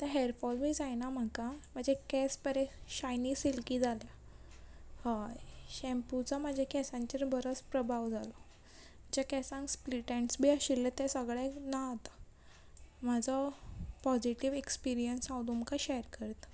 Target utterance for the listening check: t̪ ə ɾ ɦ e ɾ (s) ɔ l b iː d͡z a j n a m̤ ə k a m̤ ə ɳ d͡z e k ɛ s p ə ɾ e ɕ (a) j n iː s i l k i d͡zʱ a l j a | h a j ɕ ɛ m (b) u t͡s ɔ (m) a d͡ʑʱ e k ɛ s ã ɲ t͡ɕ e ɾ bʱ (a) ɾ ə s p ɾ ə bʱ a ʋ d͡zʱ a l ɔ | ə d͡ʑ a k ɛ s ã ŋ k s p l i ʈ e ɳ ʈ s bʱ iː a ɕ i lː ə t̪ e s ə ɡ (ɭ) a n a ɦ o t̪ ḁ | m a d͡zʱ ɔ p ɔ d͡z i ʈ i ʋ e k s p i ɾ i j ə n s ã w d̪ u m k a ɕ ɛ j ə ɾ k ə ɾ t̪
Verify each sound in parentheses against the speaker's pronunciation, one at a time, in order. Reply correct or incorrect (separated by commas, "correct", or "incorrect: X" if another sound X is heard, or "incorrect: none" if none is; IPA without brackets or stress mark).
incorrect: f, correct, incorrect: p, correct, incorrect: ə, correct